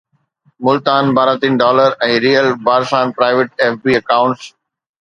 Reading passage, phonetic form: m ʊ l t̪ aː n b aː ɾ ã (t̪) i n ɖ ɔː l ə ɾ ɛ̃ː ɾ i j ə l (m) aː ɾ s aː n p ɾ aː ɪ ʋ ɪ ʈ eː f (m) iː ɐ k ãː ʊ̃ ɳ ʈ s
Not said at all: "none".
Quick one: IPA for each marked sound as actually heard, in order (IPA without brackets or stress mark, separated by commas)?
t̪, b, b